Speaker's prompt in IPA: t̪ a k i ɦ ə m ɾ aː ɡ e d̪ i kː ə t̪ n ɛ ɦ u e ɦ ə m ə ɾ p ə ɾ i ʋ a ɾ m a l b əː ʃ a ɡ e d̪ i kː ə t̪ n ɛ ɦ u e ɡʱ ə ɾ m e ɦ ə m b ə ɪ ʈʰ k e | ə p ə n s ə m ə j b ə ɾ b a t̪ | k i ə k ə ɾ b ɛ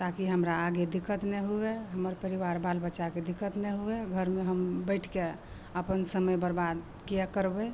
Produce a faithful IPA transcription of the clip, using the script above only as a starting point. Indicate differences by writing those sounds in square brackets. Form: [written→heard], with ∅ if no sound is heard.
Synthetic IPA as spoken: t̪ a k i ɦ ə m ɾ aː ɡ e d̪ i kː ə t̪ n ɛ ɦ u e ɦ ə m ə ɾ p ə ɾ i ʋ a ɾ [m→b] a l b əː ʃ a [ɡ→k] e d̪ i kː ə t̪ n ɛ ɦ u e ɡʱ ə ɾ m e ɦ ə m b ə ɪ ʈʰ k e | ə p ə n s ə m ə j b ə ɾ b a [t̪→d̪] | k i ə k ə ɾ b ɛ

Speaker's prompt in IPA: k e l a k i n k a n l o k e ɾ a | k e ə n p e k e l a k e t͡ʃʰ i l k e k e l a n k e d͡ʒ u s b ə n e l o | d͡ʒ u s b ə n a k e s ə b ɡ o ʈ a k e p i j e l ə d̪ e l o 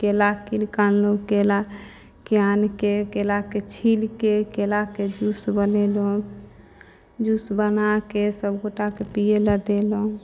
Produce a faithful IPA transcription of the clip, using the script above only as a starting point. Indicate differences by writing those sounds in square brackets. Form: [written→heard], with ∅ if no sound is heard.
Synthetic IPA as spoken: k e l a k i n k a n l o k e [ɾ→l] a | k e [ə→a] n [p→k] e k e l a k e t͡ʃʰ i l k e k e l a [n→∅] k e d͡ʒ u s b ə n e l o | d͡ʒ u s b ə n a k e s ə b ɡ o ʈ a k e p i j e l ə d̪ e l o

